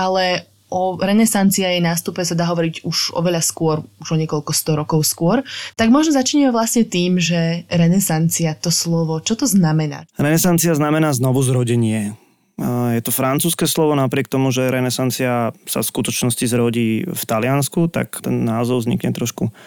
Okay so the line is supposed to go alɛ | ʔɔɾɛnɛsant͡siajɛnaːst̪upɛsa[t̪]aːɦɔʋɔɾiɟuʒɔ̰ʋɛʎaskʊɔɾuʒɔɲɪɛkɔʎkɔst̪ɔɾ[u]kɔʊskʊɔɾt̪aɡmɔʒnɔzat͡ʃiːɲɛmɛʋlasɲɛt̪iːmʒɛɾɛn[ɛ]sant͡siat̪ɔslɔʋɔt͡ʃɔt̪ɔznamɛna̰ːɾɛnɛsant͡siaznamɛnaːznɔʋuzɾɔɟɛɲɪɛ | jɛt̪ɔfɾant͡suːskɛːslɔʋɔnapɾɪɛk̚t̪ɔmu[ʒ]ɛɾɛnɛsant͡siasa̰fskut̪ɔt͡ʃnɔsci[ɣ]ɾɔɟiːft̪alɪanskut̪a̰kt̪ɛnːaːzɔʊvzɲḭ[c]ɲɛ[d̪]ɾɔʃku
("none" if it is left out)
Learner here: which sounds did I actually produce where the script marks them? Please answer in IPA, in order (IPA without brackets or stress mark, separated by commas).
d̪, ɔ, ɛ, ʒ, z, k, t̪